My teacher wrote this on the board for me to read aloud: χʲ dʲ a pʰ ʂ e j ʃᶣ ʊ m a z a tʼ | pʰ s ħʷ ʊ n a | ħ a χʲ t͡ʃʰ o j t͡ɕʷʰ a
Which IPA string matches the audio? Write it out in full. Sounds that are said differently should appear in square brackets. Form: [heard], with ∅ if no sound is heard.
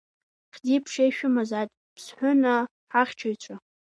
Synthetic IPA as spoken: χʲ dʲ [i] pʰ ʂ e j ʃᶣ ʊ m a z a tʼ | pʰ s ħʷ ʊ n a | ħ a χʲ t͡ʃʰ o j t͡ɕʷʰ a